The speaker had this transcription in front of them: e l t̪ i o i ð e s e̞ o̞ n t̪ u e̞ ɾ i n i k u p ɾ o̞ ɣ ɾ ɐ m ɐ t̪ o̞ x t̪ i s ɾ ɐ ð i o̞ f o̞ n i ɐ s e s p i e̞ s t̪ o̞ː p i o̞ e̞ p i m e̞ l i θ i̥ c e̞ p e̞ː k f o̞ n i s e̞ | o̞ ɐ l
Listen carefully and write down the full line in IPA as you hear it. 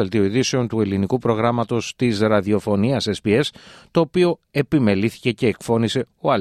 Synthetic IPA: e l t̪ i o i ð i s e̞ o̞ n t̪ u e̞ l i n i k u p ɾ o̞ ɣ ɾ ɐ m ɐ t̪ o̞ s t̪ i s ɾ ɐ ð i o̞ f o̞ n i ɐ s e s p i e̞ s t̪ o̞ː p i o̞ e̞ p i m e̞ l i θ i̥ c e̞ c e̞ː k f o̞ n i s e̞ | o̞ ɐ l